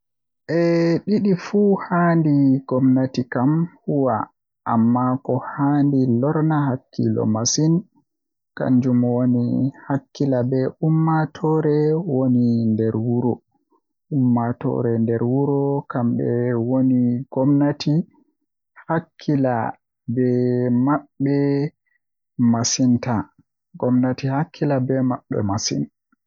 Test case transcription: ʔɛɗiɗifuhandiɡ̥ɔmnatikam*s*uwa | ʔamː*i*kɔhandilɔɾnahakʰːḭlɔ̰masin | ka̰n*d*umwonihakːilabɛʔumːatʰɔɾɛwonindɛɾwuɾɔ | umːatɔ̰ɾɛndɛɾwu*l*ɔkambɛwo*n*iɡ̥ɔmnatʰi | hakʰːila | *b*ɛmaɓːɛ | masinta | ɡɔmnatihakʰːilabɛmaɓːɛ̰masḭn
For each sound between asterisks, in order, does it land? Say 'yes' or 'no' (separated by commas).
no, no, no, no, yes, yes